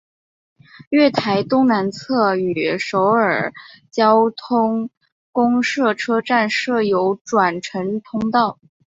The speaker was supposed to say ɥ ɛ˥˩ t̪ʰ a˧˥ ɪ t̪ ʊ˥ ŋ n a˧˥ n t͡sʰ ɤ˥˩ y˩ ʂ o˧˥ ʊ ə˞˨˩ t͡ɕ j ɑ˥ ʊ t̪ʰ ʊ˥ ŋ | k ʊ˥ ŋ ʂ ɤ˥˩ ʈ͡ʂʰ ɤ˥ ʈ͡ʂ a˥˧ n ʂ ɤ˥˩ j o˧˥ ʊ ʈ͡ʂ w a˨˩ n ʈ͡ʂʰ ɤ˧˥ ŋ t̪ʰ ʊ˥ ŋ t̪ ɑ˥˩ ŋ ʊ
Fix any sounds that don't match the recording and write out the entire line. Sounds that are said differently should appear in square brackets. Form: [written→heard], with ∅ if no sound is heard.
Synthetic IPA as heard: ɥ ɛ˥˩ t̪ʰ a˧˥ ɪ t̪ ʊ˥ ŋ n a˧˥ n t͡sʰ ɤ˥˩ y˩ ʂ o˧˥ ʊ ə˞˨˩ t͡ɕ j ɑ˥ ʊ t̪ʰ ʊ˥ ŋ | k ʊ˥ ŋ ʂ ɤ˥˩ ʈ͡ʂʰ ɤ˥ ʈ͡ʂ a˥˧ n ʂ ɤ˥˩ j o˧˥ ʊ ʈ͡ʂ w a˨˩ n ʈ͡ʂʰ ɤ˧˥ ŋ t̪ʰ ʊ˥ ŋ t̪ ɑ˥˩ [ŋ→∅] ʊ